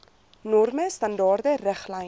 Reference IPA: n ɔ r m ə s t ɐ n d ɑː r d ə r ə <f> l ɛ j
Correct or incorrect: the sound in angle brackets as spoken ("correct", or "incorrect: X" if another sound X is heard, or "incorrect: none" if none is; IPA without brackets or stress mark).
incorrect: χ